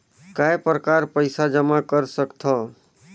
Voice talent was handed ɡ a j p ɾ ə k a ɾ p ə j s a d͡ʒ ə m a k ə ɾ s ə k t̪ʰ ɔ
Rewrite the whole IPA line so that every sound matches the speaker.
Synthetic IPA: k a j p ɾ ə k a ɾ p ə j s a d͡ʒ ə m a k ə ɾ s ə k t̪ʰ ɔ